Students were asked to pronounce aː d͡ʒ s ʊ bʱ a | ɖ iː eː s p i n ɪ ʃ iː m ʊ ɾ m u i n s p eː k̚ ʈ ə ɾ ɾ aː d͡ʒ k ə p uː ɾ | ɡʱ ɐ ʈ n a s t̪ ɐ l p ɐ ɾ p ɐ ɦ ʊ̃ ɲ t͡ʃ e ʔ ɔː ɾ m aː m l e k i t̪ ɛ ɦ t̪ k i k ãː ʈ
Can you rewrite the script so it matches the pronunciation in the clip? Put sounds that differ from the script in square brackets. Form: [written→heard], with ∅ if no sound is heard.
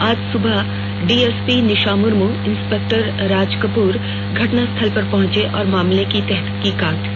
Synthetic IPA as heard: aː d͡ʒ s ʊ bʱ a | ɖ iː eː s p i n ɪ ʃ [iː→aː] m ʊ ɾ m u [i→ɪ] n s p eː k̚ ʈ ə ɾ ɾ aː d͡ʒ k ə p uː ɾ | ɡʱ ɐ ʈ n a s [t̪→t̪ʰ] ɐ l p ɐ ɾ p ɐ ɦ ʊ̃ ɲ t͡ʃ e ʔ ɔː ɾ m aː m l e k i t̪ ɛ ɦ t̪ k i k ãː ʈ